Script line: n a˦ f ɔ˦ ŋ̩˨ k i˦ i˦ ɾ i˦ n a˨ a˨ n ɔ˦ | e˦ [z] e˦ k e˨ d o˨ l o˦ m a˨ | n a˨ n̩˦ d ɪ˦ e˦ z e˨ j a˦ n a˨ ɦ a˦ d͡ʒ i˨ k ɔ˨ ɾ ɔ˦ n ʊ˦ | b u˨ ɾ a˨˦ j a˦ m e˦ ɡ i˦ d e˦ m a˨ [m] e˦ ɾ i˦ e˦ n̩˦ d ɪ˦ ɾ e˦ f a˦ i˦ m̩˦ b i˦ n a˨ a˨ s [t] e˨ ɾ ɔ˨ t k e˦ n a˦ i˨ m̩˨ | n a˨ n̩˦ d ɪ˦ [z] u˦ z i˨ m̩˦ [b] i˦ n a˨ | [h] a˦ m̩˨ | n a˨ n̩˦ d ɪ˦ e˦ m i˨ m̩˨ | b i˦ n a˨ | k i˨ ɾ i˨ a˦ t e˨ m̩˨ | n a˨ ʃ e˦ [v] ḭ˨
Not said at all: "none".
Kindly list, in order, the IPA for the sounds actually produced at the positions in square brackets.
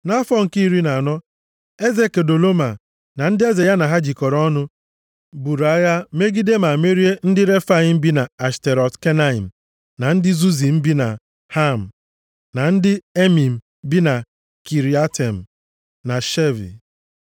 z, m, t, z, b, h, v

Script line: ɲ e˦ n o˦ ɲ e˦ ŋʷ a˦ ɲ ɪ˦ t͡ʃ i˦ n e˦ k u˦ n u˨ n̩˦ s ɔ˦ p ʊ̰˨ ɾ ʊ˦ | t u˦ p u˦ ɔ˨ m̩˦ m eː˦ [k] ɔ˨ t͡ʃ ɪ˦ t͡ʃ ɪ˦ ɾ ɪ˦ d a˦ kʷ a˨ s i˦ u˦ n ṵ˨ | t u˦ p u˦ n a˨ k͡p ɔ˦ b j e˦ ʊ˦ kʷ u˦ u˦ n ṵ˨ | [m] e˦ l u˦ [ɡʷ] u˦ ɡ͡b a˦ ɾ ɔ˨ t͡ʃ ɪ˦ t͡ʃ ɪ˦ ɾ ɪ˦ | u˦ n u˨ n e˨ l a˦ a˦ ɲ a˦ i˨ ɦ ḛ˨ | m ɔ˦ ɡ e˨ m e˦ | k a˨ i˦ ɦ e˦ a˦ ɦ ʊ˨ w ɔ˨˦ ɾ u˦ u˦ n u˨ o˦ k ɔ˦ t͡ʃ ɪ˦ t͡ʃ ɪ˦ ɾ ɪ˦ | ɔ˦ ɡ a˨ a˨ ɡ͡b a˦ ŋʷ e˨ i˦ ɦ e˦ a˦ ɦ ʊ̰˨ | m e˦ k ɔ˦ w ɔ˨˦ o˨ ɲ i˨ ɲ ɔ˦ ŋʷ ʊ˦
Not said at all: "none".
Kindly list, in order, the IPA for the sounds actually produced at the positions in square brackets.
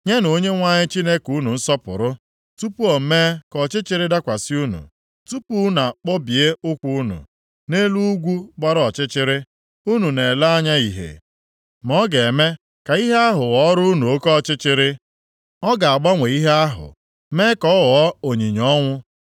k, n, ɡʷ

